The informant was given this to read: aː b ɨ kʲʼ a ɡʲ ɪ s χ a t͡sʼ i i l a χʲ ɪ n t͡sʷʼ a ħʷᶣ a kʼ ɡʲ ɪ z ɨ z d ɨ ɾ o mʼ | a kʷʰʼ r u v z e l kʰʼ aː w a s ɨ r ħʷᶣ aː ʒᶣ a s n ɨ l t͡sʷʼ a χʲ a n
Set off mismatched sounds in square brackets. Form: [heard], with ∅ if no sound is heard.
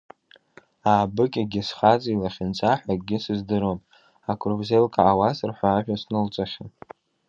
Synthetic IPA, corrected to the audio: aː b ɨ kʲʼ a ɡʲ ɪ s χ a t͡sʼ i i l a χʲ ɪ n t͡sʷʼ a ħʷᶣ a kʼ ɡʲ ɪ [s] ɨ z d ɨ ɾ o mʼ | a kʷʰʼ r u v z e l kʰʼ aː w a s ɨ r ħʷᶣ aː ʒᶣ a s n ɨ l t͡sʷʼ a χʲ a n